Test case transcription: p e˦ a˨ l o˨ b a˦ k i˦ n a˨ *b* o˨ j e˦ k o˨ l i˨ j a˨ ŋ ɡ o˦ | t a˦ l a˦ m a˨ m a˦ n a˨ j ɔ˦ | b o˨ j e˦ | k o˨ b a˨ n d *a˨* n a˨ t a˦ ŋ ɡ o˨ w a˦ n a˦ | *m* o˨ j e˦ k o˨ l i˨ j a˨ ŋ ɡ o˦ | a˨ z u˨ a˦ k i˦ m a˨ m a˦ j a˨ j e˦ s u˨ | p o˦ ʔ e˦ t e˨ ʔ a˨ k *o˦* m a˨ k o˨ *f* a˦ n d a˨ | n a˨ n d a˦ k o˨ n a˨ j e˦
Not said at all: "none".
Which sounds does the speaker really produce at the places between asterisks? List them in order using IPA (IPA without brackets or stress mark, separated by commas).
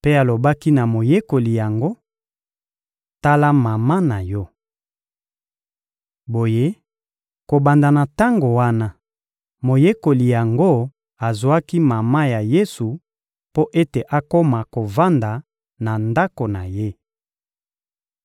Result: m, a˨, m, o˦, v